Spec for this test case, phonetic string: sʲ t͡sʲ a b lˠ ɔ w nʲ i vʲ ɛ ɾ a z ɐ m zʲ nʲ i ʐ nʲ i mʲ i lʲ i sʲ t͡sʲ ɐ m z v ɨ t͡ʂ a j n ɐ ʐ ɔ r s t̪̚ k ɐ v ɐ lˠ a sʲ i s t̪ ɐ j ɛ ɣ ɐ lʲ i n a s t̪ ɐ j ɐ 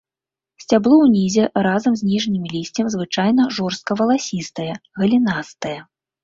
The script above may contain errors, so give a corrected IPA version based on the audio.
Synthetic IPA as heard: sʲ t͡sʲ a b lˠ ɔ w nʲ i zʲ ɛ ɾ a z ɐ m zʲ nʲ i ʐ nʲ i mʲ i lʲ i sʲ t͡sʲ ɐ m z v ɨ t͡ʂ a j n ɐ ʐ ɔ r s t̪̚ k ɐ v ɐ lˠ a sʲ i s t̪ ɐ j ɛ ɣ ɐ lʲ i n a s t̪ ɐ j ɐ